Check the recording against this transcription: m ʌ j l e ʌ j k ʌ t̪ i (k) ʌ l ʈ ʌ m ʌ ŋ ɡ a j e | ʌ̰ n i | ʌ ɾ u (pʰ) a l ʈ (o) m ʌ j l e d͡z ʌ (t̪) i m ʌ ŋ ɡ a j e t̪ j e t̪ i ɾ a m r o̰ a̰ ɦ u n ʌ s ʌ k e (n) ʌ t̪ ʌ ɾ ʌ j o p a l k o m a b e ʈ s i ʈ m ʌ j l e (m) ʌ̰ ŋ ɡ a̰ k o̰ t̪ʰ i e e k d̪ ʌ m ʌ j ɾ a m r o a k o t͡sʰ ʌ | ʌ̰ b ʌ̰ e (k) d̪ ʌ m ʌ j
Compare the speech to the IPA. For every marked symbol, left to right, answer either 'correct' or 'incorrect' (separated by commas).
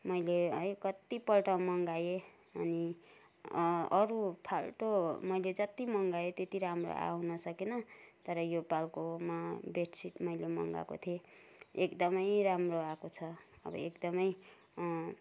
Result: incorrect, correct, correct, correct, correct, correct, correct